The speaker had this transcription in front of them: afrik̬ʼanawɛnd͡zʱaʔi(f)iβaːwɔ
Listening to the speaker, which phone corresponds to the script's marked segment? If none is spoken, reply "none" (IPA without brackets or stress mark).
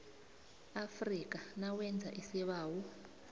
s